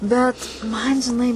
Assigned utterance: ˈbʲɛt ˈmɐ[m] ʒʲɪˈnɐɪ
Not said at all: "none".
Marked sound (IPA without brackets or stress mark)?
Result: n